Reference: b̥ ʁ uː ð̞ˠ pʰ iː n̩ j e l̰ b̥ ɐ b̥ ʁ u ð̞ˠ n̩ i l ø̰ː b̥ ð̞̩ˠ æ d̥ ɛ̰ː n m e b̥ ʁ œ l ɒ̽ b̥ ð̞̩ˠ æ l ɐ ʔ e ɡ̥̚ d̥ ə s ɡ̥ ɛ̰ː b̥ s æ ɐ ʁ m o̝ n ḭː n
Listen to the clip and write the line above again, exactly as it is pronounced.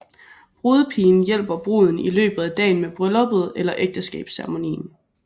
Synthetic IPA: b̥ ʁ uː ð̞ˠ pʰ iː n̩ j e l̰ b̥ ɐ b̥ ʁ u ð̞ˠ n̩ i l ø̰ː b̥ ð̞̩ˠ æ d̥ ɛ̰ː n m e b̥ ʁ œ l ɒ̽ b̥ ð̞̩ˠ e l ɐ ʔ e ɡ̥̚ d̥ ə s ɡ̥ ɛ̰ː b̥ s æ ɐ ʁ m o̝ n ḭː n